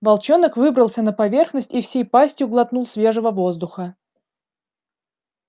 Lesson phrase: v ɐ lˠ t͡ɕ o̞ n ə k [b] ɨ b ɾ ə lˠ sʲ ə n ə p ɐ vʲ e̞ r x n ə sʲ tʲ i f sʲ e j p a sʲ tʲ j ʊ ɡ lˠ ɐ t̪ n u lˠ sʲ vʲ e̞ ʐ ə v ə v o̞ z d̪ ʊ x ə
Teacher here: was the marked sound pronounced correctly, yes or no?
no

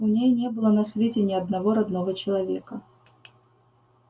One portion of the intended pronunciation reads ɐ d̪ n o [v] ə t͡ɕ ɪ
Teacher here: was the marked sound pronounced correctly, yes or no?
yes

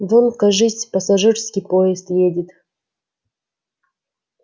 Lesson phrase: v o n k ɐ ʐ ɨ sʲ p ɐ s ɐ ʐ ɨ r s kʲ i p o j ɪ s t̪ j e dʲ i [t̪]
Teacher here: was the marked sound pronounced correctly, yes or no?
yes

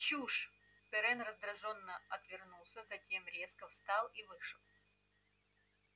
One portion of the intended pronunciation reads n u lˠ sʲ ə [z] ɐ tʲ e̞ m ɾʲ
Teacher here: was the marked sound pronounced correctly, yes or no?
yes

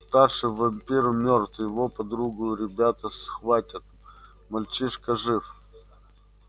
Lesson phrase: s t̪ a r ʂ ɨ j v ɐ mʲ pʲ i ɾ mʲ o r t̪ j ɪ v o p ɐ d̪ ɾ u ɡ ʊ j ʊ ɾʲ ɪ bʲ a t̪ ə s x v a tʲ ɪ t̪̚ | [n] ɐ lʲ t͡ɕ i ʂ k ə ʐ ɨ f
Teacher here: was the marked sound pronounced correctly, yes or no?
no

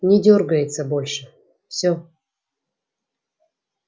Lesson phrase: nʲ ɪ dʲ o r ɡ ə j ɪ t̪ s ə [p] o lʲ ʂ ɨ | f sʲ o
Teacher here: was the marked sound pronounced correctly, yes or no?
no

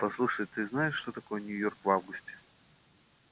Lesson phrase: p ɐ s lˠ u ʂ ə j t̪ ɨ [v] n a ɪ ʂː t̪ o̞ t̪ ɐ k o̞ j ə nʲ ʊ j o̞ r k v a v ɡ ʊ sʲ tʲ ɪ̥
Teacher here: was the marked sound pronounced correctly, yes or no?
no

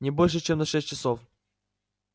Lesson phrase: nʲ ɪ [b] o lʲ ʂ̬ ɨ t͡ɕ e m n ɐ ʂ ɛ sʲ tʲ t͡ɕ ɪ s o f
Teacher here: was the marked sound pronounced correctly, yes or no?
yes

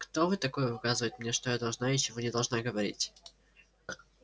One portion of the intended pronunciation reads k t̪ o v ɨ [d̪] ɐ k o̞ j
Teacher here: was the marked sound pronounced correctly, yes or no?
no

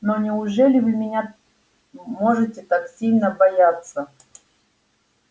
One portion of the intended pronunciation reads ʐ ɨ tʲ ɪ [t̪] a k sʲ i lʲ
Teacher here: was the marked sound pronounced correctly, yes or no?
yes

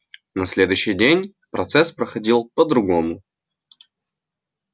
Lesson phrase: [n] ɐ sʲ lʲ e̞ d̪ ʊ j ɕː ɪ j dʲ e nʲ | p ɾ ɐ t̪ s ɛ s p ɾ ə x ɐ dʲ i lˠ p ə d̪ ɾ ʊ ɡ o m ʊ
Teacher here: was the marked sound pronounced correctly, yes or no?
yes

